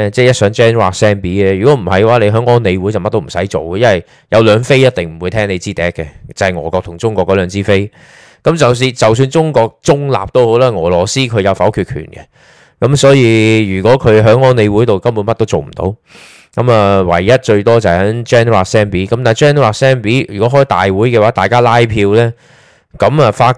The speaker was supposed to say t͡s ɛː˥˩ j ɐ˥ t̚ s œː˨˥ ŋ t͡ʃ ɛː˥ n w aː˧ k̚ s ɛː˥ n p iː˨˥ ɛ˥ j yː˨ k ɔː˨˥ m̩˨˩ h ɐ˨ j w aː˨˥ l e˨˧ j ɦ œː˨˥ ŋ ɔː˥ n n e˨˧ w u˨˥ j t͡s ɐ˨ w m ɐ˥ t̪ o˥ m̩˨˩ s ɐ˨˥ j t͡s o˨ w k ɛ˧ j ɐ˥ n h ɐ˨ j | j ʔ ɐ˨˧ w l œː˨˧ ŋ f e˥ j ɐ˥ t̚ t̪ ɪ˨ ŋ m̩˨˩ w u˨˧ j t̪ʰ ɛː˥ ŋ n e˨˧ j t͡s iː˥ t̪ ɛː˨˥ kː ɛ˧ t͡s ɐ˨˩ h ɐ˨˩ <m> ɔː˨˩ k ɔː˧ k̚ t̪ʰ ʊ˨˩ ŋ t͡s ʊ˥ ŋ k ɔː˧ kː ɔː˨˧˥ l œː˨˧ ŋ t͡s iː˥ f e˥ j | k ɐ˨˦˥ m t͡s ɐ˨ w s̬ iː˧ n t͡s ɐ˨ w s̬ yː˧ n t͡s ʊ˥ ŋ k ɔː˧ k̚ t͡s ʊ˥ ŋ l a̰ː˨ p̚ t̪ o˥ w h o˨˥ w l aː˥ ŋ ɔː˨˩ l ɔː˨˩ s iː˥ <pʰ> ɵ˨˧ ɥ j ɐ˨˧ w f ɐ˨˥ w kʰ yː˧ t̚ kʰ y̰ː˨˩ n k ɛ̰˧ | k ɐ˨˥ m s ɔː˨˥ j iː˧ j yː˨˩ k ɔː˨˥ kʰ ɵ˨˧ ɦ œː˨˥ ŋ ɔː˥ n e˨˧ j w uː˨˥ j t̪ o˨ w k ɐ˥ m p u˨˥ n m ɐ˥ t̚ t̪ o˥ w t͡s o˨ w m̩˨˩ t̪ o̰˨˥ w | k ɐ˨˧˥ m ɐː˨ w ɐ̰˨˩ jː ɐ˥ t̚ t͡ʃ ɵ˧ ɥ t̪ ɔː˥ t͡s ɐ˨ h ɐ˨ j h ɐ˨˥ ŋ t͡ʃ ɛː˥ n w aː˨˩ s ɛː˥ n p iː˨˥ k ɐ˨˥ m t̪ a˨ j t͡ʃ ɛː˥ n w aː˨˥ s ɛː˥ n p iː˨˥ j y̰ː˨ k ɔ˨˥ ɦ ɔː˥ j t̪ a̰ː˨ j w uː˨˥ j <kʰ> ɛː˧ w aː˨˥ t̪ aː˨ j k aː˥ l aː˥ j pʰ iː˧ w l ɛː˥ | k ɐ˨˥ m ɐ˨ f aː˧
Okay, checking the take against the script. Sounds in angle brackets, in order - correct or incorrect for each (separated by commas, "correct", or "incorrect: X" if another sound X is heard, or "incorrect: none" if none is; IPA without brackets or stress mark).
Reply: incorrect: ŋ, incorrect: kʰ, incorrect: k